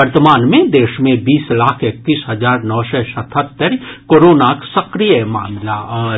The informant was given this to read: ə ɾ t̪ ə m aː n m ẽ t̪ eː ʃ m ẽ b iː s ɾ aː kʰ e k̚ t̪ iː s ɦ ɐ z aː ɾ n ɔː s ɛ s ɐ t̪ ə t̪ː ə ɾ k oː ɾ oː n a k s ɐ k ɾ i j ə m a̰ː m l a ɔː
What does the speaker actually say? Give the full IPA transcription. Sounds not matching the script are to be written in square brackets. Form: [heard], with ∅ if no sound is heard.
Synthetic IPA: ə ɾ t̪ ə m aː n m ẽ [d̪] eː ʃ m ẽ b iː s [l] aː kʰ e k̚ t̪ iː s ɦ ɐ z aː ɾ n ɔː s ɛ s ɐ [t̪ʰ] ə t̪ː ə ɾ k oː ɾ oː n a k s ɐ k ɾ i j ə m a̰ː m l a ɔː